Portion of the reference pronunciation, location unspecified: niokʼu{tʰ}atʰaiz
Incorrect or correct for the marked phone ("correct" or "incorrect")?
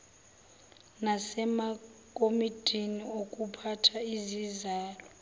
incorrect